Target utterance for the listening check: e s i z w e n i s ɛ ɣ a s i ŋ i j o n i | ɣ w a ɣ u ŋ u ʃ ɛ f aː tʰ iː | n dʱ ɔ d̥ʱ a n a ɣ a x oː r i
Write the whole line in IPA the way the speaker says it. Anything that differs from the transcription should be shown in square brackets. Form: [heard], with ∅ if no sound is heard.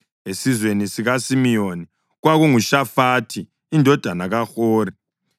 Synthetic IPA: e s i z w e n i s [i] ɣ a s i [m] i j o n i | ɣ w a ɣ u ŋ u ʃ [a] f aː tʰ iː | n dʱ ɔ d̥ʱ a n a ɣ a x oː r i